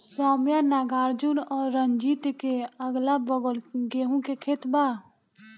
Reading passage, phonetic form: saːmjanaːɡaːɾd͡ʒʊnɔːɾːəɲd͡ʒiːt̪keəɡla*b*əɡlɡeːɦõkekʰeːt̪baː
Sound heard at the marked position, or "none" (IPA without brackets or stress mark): b